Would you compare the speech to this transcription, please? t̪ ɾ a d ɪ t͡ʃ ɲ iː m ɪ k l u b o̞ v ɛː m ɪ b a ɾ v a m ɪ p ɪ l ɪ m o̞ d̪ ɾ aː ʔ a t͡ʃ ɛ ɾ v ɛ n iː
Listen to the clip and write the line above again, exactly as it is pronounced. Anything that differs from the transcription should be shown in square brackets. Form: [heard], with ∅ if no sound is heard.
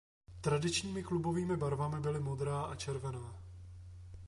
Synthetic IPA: t̪ ɾ a d ɪ t͡ʃ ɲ iː m ɪ k l u b o̞ v [iː] m ɪ b a ɾ v a m ɪ [b] ɪ l ɪ m o̞ d̪ ɾ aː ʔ a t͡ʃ ɛ ɾ v ɛ n [aː]